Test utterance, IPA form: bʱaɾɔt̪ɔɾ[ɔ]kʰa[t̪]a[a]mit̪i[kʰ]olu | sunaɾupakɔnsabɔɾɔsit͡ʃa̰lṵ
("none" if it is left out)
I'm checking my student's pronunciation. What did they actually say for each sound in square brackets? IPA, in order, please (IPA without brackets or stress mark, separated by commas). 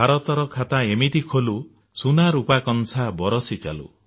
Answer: ɔ, t̪, e, kʰ